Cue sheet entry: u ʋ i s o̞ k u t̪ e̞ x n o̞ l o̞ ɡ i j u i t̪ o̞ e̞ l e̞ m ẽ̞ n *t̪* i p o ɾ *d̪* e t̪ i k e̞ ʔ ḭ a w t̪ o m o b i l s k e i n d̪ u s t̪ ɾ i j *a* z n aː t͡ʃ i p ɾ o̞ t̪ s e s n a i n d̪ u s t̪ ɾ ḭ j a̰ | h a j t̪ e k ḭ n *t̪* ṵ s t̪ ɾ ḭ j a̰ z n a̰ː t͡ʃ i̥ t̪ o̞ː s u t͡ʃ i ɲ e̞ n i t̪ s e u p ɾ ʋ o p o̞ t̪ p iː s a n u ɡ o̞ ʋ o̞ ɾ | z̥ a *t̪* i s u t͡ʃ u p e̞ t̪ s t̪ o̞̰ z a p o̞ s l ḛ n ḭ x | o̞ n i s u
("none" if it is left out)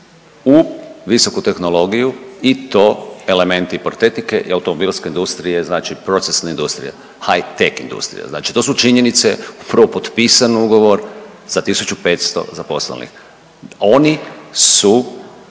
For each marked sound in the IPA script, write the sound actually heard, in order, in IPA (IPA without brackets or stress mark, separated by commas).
t̪, t̪, e, d̪, t̪